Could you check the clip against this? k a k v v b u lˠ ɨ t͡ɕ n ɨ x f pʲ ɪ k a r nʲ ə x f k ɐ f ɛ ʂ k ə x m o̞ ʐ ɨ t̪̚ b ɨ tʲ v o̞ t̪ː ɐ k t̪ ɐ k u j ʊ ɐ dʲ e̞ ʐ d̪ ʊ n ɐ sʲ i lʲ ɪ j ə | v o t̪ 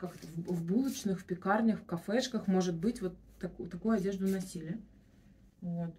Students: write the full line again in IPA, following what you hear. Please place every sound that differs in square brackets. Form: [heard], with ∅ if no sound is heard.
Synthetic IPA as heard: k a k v v b u lˠ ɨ t͡ɕ n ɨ x f pʲ ɪ k a r nʲ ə x f k ɐ f ɛ ʂ k ə x m o̞ ʐ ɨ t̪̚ b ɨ tʲ v o̞ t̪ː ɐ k t̪ ɐ k u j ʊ ɐ dʲ e̞ ʐ d̪ ʊ n ɐ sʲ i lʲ ɪ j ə | v o t̪